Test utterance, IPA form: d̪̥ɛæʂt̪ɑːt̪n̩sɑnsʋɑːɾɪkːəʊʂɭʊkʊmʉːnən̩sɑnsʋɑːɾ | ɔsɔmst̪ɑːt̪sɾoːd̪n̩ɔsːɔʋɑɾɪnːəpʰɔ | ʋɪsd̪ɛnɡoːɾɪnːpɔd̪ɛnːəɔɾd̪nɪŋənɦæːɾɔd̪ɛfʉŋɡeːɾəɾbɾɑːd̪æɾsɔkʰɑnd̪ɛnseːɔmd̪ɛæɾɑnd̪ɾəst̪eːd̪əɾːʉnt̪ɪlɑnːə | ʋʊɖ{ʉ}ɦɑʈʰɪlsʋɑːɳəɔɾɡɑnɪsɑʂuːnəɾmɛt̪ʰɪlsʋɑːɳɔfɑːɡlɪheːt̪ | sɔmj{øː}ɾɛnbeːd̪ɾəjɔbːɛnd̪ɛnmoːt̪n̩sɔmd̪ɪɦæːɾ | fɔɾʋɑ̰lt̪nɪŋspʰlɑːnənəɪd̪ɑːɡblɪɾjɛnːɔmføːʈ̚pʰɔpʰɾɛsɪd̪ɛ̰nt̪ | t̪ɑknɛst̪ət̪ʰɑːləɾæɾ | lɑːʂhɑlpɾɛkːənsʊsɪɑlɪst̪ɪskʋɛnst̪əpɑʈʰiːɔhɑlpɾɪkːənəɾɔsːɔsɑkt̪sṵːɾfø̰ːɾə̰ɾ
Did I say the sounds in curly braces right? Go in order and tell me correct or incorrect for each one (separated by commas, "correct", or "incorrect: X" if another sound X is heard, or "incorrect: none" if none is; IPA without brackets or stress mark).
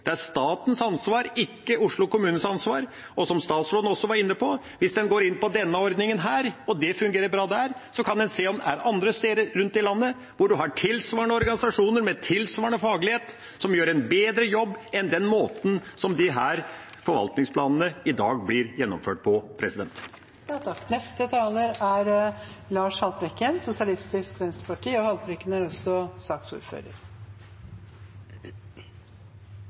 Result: correct, correct